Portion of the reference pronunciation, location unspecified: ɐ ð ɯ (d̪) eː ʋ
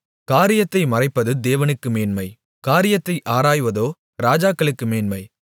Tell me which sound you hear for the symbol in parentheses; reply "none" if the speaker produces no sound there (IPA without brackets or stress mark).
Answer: d̪